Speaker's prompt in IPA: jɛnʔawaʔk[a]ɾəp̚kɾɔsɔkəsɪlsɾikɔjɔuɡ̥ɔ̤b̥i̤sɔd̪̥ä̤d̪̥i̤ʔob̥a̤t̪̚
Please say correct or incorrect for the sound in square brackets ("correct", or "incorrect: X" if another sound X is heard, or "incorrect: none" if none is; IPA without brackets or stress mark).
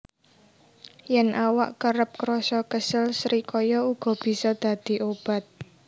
incorrect: ə